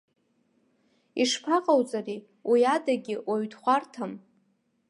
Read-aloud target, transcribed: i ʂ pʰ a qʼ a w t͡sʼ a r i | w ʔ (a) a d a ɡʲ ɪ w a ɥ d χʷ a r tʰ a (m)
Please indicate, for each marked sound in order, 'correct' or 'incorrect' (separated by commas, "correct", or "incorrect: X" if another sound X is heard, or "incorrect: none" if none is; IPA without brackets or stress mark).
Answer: incorrect: i, correct